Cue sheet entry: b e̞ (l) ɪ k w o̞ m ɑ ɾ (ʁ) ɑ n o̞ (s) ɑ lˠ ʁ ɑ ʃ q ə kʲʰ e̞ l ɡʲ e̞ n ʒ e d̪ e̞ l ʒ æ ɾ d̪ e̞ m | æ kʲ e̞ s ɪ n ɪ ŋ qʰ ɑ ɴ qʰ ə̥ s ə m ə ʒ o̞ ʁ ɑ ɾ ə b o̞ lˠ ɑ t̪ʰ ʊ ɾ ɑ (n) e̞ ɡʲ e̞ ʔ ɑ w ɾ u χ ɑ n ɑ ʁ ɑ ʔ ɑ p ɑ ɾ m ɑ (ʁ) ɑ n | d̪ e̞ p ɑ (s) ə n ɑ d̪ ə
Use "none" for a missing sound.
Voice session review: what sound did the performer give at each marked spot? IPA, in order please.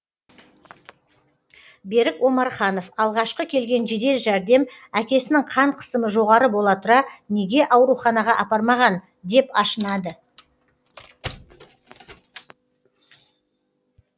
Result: ɾ, χ, f, n, ʁ, ʃ

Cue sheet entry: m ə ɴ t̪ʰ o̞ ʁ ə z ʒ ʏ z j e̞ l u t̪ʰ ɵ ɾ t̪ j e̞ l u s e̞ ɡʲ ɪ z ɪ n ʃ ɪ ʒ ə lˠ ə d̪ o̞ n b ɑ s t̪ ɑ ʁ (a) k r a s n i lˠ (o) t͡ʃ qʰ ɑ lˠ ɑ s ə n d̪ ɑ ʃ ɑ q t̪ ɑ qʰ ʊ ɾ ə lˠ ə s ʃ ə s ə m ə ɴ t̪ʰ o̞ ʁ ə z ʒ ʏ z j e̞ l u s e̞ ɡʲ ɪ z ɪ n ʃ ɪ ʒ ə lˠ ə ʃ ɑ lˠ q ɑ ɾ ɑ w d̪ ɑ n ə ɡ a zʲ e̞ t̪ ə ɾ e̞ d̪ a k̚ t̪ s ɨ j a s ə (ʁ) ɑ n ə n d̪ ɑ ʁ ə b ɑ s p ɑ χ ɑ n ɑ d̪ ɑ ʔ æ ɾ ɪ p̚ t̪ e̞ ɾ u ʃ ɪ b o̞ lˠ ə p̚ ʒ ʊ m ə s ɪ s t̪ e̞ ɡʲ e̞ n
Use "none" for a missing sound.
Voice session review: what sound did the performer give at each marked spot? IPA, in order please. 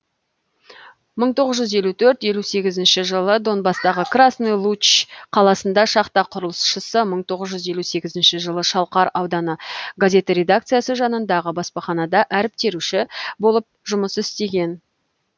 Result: ə, u, ʒ

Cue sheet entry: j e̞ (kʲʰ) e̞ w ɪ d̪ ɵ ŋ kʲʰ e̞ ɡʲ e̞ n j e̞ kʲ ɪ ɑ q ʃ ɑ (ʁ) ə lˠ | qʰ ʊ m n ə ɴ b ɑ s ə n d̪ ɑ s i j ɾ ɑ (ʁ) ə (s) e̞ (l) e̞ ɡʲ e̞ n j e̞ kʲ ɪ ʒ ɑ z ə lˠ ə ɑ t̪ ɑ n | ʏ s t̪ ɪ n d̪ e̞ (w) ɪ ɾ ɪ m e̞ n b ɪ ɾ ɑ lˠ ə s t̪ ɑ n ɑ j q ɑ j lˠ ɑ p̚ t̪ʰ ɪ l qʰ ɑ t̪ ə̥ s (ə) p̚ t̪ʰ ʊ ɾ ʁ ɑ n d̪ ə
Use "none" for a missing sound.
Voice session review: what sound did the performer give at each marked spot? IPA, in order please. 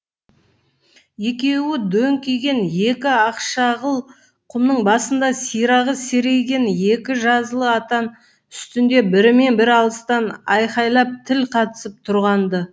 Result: kʲ, ʁ, ʁ, s, ɾ, b, ə

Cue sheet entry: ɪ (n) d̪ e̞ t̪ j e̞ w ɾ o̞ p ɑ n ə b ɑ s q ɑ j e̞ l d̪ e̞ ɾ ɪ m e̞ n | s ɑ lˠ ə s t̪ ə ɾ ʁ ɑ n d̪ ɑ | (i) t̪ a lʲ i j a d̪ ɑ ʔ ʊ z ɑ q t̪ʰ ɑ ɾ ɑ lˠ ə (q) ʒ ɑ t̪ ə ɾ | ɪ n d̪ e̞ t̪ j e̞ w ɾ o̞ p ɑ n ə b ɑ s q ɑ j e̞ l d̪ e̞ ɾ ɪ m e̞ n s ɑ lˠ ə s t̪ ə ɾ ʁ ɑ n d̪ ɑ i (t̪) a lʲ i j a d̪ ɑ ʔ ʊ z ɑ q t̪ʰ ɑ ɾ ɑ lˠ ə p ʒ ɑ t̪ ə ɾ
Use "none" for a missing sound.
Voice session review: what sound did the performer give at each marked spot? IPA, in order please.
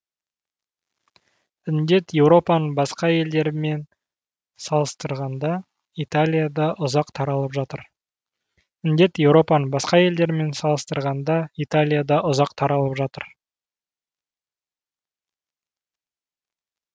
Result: n, i, p, t̪

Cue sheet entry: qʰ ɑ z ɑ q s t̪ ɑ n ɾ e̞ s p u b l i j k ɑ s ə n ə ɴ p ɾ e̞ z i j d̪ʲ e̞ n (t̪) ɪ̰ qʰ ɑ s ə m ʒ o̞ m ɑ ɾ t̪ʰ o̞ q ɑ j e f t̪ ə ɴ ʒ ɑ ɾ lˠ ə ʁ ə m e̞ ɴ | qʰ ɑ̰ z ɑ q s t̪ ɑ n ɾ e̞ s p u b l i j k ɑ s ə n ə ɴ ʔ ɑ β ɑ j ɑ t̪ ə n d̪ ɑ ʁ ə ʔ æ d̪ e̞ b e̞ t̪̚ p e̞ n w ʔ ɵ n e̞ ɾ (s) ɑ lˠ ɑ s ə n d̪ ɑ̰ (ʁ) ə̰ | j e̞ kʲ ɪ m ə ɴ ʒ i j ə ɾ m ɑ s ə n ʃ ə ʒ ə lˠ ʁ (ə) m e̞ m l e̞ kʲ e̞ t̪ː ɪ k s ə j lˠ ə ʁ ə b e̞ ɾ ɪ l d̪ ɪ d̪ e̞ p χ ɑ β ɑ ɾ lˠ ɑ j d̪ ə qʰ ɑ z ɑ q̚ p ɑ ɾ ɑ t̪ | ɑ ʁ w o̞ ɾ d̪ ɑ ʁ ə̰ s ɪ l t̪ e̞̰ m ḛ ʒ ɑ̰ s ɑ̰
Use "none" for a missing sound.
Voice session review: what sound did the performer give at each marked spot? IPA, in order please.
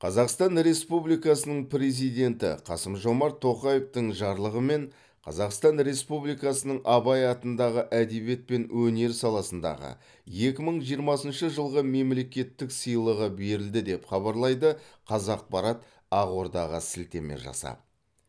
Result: t̪, s, ʁ, ə

